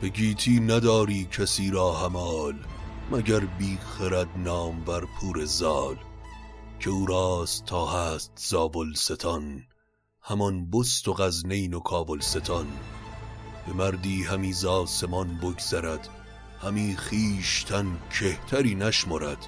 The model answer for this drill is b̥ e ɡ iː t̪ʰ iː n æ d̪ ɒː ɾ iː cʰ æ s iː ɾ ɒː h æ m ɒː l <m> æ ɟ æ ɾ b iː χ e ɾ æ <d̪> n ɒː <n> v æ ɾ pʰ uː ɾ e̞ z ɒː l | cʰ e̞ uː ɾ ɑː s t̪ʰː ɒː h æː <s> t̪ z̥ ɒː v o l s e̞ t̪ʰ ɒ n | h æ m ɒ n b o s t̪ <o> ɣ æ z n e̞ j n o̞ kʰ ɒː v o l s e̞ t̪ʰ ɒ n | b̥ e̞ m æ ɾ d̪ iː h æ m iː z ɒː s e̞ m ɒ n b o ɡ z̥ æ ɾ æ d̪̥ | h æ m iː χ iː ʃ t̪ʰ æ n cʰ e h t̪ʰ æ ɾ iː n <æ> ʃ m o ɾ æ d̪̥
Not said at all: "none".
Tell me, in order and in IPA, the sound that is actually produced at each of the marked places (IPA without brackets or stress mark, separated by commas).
m, d̪, m, s, o, æ